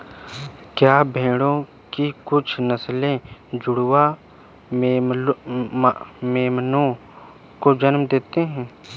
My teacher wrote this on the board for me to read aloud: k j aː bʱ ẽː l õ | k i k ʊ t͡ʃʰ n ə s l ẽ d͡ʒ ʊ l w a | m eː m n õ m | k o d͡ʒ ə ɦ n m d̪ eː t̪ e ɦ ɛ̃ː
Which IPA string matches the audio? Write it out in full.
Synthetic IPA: k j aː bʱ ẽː ɽ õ | k i k ʊ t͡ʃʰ n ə s l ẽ d͡ʒ ʊ ɽ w a | m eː m n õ | k o d͡ʒ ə n m d̪ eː t̪ e ɦ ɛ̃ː